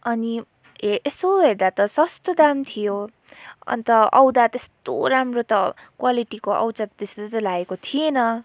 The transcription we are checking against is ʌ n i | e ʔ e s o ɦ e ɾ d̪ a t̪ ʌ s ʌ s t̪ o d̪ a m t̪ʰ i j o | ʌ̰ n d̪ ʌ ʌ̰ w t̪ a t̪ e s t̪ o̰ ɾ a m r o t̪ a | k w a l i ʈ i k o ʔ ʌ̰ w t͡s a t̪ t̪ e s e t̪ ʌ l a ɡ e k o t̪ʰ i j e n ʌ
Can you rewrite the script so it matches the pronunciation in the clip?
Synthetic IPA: ʌ n i | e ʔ e s o ɦ e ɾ d̪ a t̪ ʌ s ʌ s t̪ o d̪ a m t̪ʰ i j o | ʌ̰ n t̪ ʌ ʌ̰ w d̪ a t̪ e s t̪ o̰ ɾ a m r o t̪ ʌ | k w a l i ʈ i k o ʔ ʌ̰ w t͡s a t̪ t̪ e s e t̪ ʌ l a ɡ e k o t̪ʰ i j e n ʌ